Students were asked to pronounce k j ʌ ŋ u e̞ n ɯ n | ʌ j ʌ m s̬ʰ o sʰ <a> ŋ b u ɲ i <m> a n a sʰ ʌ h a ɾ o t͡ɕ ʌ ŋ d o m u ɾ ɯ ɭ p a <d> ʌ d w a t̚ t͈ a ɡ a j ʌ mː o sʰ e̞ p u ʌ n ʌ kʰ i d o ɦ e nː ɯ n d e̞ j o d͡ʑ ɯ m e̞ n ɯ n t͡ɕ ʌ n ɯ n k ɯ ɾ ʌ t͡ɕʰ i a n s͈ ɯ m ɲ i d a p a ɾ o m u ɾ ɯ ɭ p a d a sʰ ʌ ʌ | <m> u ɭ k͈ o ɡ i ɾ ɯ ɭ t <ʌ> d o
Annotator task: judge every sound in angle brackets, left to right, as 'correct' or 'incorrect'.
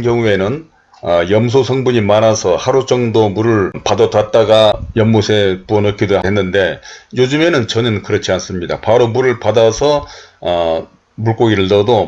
incorrect: ʌ, correct, correct, correct, correct

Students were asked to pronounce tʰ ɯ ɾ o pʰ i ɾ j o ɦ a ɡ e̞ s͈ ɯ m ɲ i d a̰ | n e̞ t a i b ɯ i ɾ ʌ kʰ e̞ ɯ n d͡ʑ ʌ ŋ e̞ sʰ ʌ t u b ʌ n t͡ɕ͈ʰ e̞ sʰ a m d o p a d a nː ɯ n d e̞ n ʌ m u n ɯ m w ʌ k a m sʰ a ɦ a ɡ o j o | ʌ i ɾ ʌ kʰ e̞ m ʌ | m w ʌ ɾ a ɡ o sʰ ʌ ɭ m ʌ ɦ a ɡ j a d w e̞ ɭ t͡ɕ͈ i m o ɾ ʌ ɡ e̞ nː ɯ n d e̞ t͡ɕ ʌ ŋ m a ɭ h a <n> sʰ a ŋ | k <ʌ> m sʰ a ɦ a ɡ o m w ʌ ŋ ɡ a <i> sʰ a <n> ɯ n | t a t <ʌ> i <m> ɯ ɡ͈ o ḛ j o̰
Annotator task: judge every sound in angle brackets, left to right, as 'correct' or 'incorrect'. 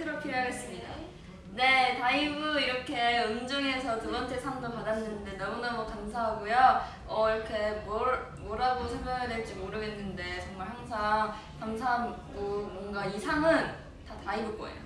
incorrect: ŋ, incorrect: a, correct, incorrect: ŋ, incorrect: a, incorrect: b

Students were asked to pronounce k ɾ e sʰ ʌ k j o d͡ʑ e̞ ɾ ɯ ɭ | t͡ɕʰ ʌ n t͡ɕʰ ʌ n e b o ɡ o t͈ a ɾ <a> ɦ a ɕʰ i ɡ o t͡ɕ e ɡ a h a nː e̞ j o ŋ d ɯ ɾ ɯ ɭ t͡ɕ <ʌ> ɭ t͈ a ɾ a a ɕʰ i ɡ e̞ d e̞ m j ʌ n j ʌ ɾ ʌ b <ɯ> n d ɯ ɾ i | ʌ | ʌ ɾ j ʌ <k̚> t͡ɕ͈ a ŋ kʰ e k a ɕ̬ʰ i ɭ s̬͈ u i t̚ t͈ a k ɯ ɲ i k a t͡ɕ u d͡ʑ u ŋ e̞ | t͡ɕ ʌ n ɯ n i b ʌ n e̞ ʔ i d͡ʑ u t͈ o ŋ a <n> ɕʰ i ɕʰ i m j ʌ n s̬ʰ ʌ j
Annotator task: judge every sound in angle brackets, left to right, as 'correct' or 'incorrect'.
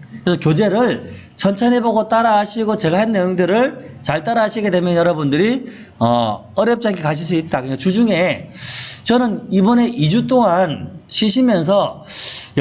correct, incorrect: a, incorrect: u, incorrect: p̚, correct

